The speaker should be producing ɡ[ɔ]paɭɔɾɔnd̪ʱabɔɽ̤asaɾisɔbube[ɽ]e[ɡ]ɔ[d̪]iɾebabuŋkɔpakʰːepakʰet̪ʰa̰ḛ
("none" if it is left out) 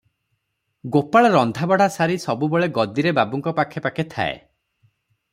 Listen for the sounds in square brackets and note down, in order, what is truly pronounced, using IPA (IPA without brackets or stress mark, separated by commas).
o, ɭ, ɡ, d̪